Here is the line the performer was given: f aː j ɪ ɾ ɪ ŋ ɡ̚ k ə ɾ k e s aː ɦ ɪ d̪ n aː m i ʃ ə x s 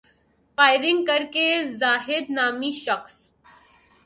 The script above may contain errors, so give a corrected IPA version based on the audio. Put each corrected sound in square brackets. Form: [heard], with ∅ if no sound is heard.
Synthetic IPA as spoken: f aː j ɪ ɾ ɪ ŋ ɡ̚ k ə ɾ k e [z] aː ɦ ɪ d̪ n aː m i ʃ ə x s